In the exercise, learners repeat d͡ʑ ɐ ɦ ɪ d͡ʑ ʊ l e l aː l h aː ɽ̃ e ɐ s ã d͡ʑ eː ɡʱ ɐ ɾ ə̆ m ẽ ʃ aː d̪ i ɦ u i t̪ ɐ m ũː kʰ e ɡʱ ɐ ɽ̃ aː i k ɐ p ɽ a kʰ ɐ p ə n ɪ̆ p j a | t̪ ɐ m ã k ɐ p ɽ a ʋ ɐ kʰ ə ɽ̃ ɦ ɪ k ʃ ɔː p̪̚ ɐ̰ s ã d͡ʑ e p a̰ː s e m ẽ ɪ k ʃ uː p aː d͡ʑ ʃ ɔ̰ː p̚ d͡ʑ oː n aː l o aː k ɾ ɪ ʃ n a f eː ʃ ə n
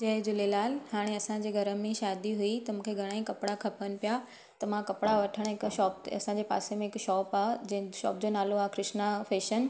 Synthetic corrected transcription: d͡ʑ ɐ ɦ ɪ d͡ʑ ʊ l e l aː l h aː ɽ̃ e ɐ s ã d͡ʑ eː ɡʱ ɐ ɾ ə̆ m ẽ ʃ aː d̪ i ɦ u i t̪ ɐ m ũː kʰ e ɡʱ ɐ ɽ̃ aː i k ɐ p ɽ a kʰ ɐ p ə n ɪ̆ p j a | t̪ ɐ m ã k ɐ p ɽ a ʋ ɐ ʈʰ ə ɽ̃ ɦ ɪ k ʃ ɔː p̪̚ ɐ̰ s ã d͡ʑ e p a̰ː s e m ẽ ɪ k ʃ ɔː p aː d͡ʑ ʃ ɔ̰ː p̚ d͡ʑ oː n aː l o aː k ɾ ɪ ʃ n a f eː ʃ ə n